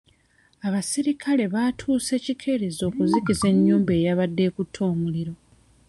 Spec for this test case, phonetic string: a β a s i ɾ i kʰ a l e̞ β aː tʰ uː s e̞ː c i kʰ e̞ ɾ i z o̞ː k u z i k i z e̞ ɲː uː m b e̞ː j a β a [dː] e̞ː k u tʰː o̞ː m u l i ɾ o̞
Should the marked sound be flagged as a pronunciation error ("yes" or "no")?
no